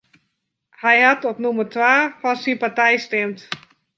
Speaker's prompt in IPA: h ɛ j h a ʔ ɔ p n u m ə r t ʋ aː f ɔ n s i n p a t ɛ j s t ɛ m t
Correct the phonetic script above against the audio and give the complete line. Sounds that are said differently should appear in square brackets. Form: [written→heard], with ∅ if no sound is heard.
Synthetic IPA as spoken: h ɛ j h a [ʔ→t] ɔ p n u m ə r t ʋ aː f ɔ n s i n p a t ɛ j s t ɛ m t